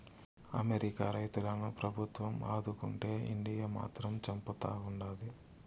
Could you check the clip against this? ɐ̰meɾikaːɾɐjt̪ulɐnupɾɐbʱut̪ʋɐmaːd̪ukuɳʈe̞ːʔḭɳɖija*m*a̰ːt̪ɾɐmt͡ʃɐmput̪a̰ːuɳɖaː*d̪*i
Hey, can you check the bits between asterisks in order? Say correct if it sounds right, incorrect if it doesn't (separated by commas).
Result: correct, correct